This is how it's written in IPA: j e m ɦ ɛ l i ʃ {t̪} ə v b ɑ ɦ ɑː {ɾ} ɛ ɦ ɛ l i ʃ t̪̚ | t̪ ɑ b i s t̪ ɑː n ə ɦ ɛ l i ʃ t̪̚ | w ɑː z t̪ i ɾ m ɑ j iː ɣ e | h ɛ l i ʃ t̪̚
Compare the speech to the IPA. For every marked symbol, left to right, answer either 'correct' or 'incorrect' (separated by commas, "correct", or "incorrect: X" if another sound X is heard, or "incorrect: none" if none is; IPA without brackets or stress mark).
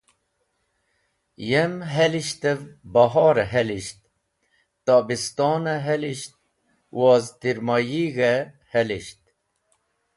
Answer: correct, correct